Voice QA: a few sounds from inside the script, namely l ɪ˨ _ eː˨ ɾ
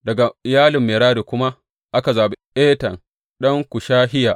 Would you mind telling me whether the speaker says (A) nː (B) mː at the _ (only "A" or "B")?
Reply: B